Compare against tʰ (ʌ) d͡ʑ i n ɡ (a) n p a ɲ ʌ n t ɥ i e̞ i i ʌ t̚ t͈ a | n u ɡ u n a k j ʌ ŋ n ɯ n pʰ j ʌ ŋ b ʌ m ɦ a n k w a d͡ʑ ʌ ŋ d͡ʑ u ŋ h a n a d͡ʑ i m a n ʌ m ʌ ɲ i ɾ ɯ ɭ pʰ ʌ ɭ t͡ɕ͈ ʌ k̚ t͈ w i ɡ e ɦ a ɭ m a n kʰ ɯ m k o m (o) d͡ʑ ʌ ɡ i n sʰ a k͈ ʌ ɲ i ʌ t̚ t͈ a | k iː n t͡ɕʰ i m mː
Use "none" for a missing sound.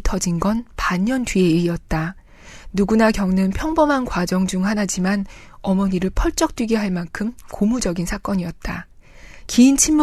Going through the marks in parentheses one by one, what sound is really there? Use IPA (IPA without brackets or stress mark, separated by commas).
ʌ, ʌ, u